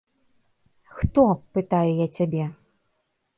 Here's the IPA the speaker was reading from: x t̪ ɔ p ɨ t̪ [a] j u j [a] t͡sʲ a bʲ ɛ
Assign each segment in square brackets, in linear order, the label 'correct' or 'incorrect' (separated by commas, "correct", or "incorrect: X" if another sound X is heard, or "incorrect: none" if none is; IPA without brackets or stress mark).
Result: correct, correct